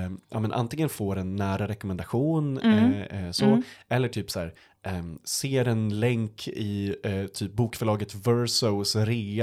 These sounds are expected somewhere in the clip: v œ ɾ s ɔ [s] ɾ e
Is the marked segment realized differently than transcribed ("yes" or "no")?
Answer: no